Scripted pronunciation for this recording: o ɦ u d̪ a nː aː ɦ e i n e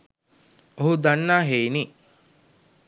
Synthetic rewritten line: o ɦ u d̪ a nː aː ɦ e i n i